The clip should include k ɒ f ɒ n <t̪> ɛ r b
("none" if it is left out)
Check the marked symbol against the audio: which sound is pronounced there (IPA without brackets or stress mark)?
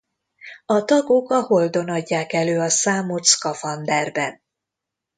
d̪